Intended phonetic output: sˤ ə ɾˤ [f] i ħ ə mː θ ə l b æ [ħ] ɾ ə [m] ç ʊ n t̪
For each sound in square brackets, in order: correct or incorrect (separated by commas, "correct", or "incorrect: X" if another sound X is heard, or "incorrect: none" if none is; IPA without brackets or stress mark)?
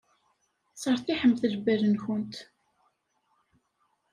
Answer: incorrect: θ, incorrect: none, incorrect: n